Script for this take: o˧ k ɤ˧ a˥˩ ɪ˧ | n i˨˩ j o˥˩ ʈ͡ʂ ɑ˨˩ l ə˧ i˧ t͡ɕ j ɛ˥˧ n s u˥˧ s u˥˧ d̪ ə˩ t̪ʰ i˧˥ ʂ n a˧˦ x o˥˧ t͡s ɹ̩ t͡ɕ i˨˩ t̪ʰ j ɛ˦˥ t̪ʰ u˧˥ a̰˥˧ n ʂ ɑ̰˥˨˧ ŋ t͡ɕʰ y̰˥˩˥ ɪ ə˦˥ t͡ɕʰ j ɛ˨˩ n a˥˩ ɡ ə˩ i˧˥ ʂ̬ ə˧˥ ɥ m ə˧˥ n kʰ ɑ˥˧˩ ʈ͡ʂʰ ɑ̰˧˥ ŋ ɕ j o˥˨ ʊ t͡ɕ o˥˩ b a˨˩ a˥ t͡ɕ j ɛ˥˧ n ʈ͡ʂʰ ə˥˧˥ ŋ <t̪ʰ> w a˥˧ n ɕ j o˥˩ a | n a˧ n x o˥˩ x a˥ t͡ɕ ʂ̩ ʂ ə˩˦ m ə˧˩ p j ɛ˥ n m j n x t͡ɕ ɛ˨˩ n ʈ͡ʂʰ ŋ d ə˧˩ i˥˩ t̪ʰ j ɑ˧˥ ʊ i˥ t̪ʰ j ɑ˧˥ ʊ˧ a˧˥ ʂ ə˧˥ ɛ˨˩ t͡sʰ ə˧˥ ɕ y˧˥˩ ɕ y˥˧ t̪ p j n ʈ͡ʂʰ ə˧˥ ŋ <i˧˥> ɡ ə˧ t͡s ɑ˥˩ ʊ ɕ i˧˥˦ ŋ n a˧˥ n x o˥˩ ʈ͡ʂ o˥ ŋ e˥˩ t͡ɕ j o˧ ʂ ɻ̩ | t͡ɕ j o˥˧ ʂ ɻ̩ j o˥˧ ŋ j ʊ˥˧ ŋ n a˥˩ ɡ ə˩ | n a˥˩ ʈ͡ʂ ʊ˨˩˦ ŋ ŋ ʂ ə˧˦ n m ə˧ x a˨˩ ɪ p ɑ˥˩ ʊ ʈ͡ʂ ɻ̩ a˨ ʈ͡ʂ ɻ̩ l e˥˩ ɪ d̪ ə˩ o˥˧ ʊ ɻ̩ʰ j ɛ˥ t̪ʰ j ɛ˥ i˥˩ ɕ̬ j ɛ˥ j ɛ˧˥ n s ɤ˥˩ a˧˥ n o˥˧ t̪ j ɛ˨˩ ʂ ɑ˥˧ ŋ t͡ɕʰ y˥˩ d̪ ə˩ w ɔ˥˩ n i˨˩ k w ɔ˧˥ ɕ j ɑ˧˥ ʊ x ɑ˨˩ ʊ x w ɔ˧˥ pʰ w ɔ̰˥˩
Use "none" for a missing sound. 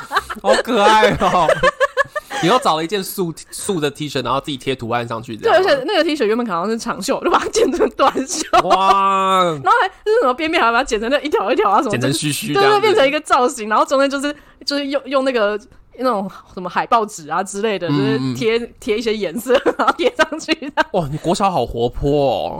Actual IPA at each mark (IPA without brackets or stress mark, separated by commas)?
t̪, i˧